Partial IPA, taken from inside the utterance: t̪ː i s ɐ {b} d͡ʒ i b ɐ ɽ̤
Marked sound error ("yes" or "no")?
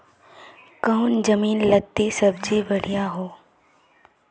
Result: no